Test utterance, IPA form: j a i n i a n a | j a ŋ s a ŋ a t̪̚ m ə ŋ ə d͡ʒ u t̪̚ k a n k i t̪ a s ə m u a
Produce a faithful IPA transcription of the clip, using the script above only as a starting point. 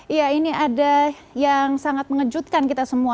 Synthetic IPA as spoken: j a i n i a d a | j a ŋ s a ŋ a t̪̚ m ə ŋ ə d͡ʒ u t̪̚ k a n k i t̪ a s ə m u a